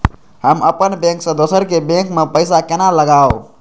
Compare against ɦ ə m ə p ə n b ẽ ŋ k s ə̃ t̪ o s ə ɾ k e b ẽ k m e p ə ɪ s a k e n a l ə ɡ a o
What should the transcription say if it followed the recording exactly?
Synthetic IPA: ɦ ə m ə p ə n b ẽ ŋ k s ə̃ d̪ o s ə ɾ k e b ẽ k m e p ə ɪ s a k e n a l ə ɡ a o